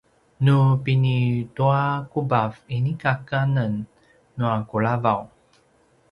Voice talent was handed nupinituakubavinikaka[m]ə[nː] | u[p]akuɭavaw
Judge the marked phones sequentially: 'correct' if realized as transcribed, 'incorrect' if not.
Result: incorrect, correct, incorrect

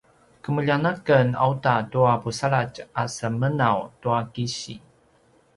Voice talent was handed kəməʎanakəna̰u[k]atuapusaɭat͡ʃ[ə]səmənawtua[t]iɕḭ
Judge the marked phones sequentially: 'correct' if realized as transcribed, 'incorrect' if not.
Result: incorrect, incorrect, incorrect

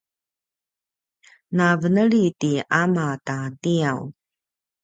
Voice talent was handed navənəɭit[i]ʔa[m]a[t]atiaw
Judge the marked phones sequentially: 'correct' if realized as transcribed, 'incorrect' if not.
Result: correct, correct, correct

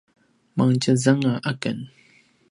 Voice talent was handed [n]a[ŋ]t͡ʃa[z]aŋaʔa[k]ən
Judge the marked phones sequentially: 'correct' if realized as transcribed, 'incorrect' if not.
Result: incorrect, correct, correct, correct

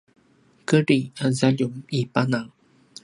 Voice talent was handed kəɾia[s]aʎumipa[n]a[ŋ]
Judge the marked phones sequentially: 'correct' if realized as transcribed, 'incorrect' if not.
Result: incorrect, correct, correct

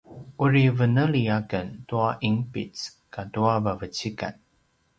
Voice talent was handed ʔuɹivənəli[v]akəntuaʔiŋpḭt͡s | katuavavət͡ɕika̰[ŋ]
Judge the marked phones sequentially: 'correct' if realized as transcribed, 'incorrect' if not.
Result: incorrect, incorrect

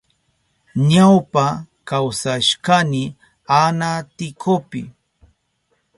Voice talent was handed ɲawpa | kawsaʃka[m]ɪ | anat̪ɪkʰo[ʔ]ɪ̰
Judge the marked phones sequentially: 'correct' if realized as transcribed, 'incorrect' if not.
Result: incorrect, incorrect

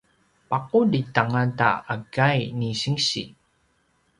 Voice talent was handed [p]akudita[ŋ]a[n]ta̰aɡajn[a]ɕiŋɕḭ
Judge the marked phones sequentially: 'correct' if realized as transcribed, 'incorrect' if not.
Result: correct, correct, correct, incorrect

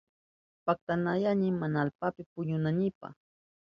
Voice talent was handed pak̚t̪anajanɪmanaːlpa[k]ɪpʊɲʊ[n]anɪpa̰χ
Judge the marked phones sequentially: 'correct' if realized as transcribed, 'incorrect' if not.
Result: incorrect, correct

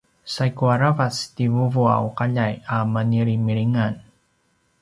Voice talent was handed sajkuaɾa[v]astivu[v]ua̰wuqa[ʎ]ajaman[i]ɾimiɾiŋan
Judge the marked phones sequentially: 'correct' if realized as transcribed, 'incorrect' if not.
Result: correct, correct, correct, correct

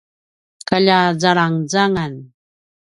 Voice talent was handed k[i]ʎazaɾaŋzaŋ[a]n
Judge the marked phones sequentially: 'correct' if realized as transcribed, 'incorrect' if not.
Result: incorrect, correct

